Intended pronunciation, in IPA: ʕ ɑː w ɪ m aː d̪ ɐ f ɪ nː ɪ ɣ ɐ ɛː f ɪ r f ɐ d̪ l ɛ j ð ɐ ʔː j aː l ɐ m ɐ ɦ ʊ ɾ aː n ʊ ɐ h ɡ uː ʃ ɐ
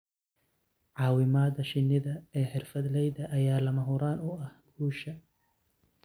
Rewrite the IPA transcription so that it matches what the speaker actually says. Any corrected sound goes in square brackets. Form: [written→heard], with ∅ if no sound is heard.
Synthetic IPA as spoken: ʕ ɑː w ɪ m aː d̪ ɐ [f→ʃ] ɪ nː ɪ [ɣ→ð] ɐ ɛː [f→ħ] ɪ r f ɐ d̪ l ɛ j ð ɐ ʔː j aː l ɐ m ɐ ɦ ʊ ɾ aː n ʊ ɐ h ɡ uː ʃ ɐ